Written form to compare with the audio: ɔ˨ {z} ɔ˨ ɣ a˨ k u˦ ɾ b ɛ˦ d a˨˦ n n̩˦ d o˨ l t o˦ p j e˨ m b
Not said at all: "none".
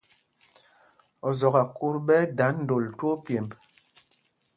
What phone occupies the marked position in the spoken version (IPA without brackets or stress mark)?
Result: z